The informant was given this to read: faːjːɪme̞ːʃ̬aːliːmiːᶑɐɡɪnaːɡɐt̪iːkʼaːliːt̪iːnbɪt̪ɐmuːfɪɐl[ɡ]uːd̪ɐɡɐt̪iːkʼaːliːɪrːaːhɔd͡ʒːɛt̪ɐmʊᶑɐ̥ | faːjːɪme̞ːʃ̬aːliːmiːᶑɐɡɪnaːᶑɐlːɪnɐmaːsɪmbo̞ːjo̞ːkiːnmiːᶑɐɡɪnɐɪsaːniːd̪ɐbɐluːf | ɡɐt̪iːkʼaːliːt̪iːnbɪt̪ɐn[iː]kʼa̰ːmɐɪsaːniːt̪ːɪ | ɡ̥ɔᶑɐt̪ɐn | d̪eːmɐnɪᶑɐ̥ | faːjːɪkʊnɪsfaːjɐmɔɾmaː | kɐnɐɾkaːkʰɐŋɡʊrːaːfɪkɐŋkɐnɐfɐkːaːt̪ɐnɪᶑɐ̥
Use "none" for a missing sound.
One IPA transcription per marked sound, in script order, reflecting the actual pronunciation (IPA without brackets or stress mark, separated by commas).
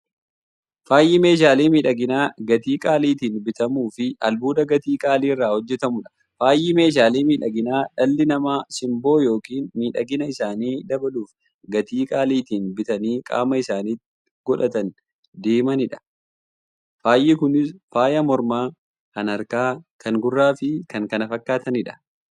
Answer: b, iː